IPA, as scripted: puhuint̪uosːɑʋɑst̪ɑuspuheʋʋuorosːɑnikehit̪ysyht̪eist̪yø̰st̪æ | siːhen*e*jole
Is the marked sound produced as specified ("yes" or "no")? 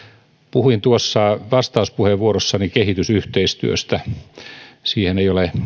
yes